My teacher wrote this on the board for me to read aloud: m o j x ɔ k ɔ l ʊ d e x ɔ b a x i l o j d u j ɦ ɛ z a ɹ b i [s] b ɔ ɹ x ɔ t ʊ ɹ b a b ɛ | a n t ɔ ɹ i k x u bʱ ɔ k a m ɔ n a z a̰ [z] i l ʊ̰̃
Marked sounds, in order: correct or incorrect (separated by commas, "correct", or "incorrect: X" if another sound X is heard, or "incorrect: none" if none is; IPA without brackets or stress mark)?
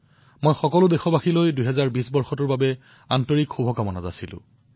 correct, incorrect: s